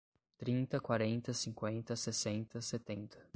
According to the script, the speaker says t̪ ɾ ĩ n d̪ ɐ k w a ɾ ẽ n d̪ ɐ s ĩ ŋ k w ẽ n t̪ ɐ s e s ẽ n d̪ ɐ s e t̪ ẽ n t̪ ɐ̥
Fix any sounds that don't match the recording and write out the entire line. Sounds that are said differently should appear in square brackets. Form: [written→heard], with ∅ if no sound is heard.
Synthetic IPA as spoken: t̪ ɾ ĩ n [d̪→t̪] ɐ k w a ɾ ẽ n [d̪→t̪] ɐ s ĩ ŋ k w ẽ n t̪ ɐ s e s ẽ n [d̪→t̪] ɐ s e t̪ ẽ n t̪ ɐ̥